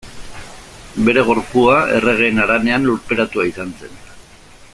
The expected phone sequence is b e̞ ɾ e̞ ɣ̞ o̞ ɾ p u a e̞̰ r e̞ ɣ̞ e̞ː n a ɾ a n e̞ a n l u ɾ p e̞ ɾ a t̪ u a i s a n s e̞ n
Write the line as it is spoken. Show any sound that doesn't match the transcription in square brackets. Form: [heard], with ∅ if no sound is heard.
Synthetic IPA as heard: b e̞ ɾ e̞ ɣ̞ o̞ ɾ p u a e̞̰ r e̞ ɣ̞ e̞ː n a ɾ a n e̞ a n l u ɾ p e̞ ɾ a t̪ u a i s a n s e̞ n